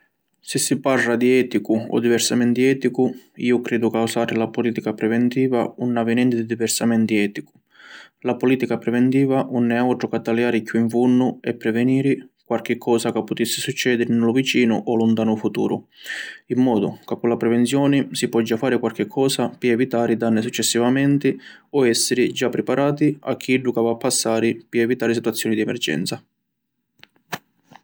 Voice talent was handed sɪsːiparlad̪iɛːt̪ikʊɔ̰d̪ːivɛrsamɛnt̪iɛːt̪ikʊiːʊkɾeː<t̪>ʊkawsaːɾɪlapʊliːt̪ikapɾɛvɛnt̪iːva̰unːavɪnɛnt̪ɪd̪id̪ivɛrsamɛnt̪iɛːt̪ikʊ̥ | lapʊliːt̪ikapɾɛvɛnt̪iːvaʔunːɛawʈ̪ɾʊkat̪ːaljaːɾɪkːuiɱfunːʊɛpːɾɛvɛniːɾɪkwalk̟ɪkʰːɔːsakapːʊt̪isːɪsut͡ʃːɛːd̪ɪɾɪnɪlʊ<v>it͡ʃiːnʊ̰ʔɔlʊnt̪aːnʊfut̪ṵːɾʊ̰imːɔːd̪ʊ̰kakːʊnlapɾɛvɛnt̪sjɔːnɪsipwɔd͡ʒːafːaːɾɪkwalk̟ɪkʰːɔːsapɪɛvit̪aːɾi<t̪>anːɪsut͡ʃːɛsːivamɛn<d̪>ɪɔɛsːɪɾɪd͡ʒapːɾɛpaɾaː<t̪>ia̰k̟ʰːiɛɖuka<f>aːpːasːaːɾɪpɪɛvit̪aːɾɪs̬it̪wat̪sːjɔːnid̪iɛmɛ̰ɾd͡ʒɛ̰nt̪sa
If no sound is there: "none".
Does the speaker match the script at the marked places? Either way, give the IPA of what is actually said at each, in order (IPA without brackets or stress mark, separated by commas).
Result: d̪, v, d̪, t̪, t̪, v